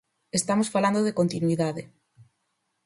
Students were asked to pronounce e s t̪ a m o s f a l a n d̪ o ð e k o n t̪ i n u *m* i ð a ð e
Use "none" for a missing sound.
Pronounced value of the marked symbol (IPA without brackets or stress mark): none